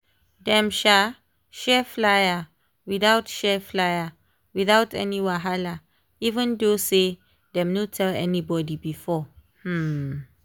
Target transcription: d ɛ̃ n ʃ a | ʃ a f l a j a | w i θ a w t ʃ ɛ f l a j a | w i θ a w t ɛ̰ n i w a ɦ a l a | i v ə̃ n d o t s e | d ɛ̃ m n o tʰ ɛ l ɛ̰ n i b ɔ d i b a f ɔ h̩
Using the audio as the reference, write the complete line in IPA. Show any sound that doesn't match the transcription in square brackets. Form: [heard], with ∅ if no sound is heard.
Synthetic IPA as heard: d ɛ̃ [m] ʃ a | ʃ [ɛ] f l a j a | w i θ a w t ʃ ɛ f l a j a | w i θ a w t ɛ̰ n i w a ɦ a l a | i v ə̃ n d o [∅] s e | d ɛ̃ m n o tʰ ɛ l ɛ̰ n i b ɔ d i b [i] f ɔ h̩